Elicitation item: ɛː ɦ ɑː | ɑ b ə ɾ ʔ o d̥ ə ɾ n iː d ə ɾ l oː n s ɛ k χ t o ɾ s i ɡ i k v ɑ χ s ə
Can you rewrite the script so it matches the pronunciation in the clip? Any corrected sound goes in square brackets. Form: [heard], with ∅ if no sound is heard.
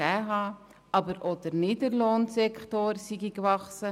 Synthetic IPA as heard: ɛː ɦ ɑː | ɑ b ə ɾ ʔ o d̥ ə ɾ n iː d ə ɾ l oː n s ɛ k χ t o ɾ s i ɡ i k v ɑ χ s ə

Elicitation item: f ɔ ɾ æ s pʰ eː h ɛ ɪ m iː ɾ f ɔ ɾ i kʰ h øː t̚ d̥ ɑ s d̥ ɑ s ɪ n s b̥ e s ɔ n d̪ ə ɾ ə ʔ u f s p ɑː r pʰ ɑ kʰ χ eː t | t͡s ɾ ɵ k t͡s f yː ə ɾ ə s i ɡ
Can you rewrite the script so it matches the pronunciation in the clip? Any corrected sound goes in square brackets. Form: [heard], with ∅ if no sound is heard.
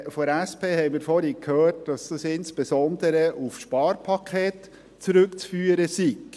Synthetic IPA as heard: f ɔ ɾ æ s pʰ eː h ɛ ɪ m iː ɾ f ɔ ɾ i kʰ h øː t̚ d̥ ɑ s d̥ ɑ s ɪ n s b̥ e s ɔ n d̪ ə ɾ ə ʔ u f [ʃ] p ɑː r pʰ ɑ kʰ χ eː t | t͡s ɾ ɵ k t͡s f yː ə ɾ ə s i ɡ

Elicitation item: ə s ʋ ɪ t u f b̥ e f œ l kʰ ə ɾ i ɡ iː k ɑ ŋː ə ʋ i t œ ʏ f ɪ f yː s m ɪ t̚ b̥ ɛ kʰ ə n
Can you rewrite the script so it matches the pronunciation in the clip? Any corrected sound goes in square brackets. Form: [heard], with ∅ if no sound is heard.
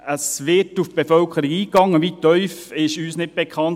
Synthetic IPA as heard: ə s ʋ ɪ t u f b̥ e f œ l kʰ ə ɾ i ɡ iː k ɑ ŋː ə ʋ i t œ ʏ f ɪ [ʃ] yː s [n] ɪ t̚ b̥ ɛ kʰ [ɑ] n

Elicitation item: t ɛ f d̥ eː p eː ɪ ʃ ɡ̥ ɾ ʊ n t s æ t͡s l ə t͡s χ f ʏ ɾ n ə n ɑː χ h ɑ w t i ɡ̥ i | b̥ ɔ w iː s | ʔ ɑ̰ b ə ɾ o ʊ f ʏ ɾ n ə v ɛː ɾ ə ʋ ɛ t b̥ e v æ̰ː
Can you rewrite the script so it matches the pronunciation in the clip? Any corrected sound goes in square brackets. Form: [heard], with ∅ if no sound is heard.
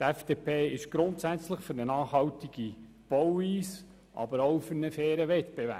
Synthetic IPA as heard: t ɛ f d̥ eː p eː ɪ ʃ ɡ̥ ɾ ʊ n t s æ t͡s l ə [∅] χ f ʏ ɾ n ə n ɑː χ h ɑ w t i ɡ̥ i | b̥ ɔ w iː s | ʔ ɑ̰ b ə ɾ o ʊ f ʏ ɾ n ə [f] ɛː ɾ ə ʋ ɛ t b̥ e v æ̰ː

